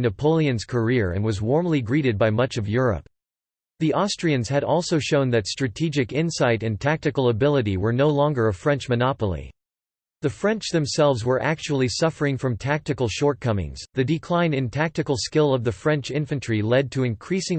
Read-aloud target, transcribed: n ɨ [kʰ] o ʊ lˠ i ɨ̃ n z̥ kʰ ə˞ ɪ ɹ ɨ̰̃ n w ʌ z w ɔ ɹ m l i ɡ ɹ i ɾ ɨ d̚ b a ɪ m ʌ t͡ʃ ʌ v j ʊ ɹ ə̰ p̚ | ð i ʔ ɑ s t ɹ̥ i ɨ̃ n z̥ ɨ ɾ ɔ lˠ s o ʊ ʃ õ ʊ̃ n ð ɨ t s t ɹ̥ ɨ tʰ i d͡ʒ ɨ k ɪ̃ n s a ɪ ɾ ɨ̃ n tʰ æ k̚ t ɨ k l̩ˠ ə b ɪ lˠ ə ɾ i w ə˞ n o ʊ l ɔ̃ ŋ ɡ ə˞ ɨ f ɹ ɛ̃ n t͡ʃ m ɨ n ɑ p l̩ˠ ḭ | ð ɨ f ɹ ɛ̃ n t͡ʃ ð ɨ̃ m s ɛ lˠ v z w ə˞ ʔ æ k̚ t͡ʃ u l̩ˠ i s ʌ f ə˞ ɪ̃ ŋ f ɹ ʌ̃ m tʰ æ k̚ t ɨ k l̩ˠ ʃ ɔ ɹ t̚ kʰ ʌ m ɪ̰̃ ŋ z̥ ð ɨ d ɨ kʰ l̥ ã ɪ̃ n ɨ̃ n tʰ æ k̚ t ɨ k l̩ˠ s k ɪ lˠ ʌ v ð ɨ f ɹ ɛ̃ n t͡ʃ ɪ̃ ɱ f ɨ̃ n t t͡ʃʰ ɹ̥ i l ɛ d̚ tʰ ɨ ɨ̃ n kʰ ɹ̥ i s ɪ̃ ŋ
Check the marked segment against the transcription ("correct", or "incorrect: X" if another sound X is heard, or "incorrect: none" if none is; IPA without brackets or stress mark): incorrect: pʰ